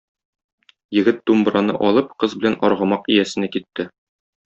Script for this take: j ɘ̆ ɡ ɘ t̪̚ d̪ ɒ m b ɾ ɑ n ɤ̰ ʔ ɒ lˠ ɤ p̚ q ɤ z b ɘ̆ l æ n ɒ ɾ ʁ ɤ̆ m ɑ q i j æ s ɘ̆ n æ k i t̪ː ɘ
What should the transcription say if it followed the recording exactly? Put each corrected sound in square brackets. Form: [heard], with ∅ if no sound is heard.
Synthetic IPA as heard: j ɘ̆ ɡ ɘ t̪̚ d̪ [u] m b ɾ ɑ n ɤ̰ ʔ ɒ lˠ ɤ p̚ q ɤ z b ɘ̆ l æ n ɒ ɾ ʁ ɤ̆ m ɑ q i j æ s ɘ̆ n æ k i t̪ː ɘ

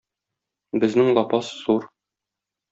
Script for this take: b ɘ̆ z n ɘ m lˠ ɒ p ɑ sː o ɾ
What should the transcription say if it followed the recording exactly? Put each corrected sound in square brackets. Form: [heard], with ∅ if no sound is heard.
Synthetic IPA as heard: b ɘ̆ z n ɘ [ŋ] lˠ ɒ p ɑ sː [u] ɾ

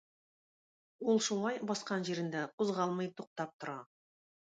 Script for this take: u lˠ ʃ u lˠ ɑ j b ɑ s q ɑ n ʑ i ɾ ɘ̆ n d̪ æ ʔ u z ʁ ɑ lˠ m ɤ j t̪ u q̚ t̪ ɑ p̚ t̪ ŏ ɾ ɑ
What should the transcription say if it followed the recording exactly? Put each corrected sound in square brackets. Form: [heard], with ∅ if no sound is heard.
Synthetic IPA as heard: u lˠ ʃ u lˠ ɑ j b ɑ s q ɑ n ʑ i ɾ ɘ̆ n d̪ æ [q] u z ʁ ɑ lˠ m ɤ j t̪ u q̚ t̪ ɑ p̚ t̪ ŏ ɾ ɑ

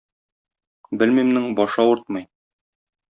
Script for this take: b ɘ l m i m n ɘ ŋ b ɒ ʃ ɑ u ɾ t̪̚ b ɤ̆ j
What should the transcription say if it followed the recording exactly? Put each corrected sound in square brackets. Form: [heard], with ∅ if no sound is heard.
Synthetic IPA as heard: b ɘ l m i m n ɘ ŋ b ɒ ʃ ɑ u ɾ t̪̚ [m] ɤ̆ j

